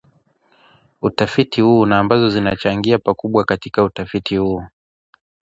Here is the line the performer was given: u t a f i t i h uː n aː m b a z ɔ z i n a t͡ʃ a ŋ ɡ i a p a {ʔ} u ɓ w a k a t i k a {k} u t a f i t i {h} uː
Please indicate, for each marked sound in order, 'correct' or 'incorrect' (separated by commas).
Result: incorrect, incorrect, correct